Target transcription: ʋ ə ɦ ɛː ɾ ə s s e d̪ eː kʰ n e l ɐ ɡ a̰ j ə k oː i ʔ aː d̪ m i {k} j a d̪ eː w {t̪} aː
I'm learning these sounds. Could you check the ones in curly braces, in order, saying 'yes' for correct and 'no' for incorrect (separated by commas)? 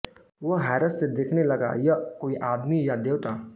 no, yes